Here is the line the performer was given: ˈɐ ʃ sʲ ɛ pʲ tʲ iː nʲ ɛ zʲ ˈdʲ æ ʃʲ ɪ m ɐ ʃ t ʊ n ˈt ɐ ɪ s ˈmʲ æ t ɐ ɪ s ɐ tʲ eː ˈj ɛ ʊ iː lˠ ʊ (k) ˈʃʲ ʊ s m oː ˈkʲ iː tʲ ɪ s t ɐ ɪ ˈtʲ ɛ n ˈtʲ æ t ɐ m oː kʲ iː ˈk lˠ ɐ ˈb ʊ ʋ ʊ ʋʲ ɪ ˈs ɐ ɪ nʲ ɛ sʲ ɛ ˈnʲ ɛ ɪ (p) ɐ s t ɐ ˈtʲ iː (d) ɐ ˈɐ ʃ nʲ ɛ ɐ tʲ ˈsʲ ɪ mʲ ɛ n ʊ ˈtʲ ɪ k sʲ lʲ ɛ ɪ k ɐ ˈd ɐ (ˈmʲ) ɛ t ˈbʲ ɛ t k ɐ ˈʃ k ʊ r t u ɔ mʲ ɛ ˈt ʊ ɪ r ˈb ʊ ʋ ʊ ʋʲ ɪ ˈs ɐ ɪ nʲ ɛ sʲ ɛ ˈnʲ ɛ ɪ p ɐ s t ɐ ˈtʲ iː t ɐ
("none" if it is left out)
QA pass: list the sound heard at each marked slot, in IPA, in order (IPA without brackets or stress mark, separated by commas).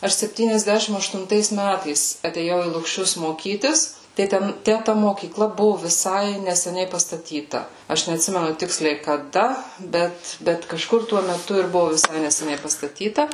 k, p, t, bʲ